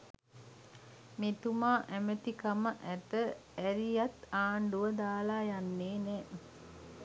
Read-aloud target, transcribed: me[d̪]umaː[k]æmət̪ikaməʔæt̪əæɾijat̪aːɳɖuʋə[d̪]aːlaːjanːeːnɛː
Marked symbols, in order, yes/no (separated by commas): no, no, yes